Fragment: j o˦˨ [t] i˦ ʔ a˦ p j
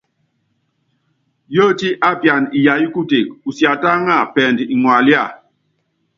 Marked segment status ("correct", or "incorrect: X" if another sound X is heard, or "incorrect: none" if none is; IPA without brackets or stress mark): correct